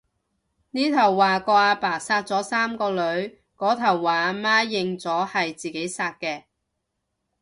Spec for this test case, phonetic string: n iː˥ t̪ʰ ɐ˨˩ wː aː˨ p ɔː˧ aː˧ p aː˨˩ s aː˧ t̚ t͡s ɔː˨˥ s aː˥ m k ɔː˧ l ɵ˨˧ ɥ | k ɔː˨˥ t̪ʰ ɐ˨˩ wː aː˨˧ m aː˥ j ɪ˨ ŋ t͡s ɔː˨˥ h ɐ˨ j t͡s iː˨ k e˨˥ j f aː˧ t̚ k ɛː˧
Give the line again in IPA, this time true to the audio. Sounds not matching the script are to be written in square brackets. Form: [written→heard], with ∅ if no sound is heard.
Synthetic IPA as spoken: n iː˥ t̪ʰ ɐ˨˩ wː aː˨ [p→k] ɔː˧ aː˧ p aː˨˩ s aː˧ t̚ t͡s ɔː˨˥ s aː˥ m k ɔː˧ l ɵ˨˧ ɥ | k ɔː˨˥ t̪ʰ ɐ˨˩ wː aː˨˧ m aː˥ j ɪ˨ ŋ t͡s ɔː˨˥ h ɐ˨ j t͡s iː˨ k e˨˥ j [f→s] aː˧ t̚ k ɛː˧